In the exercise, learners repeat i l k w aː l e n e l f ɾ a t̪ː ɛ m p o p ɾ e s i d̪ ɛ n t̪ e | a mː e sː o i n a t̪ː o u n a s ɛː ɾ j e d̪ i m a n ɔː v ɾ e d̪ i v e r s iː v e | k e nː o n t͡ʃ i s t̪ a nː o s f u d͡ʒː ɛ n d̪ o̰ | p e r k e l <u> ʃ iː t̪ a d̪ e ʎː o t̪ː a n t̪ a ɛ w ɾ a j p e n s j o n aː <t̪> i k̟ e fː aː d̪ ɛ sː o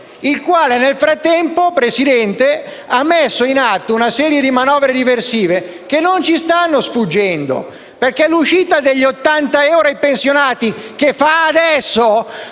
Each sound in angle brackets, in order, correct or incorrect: correct, correct

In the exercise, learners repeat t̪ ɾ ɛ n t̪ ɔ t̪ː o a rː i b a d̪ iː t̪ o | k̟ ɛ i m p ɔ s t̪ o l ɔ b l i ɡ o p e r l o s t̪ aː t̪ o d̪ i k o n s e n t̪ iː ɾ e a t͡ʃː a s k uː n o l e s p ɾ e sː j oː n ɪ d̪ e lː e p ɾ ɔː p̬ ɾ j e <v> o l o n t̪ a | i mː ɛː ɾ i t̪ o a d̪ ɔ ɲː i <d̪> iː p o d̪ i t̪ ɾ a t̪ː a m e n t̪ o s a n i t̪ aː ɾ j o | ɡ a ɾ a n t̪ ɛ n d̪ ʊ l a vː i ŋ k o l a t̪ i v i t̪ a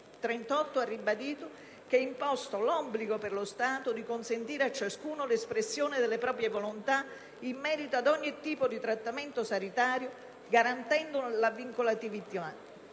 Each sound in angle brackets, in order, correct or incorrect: correct, incorrect: t̪

